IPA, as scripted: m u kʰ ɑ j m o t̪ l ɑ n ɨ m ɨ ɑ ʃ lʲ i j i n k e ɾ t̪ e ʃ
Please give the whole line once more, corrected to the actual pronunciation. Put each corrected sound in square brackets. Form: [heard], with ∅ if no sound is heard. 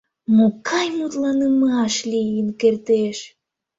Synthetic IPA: m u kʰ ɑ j m [u] t̪ l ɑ n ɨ m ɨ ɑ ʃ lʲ i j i n k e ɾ t̪ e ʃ